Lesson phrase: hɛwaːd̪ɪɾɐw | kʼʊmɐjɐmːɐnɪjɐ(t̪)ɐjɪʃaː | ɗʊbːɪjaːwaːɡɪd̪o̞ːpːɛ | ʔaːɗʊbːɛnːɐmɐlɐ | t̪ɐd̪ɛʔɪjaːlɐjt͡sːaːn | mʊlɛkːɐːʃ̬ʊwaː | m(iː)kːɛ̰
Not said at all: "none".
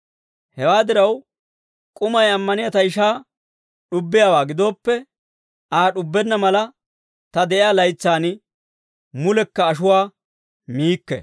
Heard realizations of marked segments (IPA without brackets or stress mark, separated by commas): t̪, iː